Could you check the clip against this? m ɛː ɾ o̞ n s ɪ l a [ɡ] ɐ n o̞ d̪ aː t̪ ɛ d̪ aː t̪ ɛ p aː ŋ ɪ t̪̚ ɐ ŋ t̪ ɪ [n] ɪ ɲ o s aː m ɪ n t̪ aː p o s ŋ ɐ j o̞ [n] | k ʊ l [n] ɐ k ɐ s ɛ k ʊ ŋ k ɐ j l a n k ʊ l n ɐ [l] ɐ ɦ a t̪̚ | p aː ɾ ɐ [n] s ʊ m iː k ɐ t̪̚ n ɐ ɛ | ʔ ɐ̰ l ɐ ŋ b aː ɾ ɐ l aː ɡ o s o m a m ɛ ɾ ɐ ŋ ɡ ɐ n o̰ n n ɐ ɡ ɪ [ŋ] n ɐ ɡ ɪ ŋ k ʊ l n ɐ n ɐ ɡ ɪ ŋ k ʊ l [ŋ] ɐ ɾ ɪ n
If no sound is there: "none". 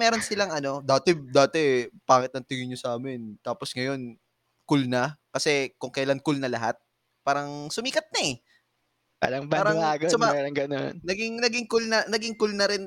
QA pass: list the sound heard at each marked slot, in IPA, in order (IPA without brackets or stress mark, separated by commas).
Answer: ŋ, ŋ, n, n, l, ŋ, ŋ, n